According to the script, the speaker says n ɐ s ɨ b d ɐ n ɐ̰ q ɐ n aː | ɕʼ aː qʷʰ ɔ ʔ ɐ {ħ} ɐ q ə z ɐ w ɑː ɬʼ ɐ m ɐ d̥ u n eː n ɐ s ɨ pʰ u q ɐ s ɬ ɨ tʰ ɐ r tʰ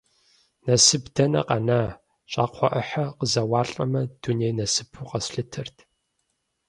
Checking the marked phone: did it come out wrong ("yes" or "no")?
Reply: no